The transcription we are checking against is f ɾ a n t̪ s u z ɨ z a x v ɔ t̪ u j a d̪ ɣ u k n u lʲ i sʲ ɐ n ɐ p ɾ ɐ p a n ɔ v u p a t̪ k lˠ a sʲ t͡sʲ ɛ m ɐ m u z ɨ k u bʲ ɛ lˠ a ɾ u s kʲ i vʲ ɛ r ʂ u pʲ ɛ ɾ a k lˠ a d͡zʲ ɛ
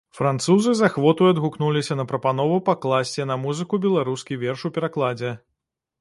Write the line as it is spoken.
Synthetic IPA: f ɾ a n t̪ s u z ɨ z a x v ɔ t̪ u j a d̪ ɣ u k n u lʲ i sʲ ɐ n ɐ p ɾ ɐ p a n ɔ v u p a k lˠ a sʲ t͡sʲ ɛ n ɐ m u z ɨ k u bʲ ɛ lˠ a ɾ u s kʲ i vʲ ɛ r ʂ u pʲ ɛ ɾ a k lˠ a d͡zʲ ɛ